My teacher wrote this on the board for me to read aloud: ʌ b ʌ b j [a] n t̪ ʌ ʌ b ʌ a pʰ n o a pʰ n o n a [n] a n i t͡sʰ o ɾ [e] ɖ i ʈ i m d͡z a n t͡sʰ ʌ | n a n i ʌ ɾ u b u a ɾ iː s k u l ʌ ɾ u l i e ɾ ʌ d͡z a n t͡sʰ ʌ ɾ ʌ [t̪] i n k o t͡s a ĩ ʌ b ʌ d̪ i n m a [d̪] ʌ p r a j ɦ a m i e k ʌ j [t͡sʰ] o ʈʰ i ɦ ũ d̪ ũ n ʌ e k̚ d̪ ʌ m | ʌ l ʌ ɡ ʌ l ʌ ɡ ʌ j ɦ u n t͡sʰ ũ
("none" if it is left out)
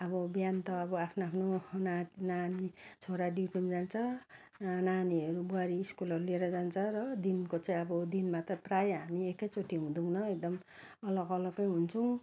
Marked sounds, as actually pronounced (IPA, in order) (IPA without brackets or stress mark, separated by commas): a, n, a, d̪, t̪, t͡s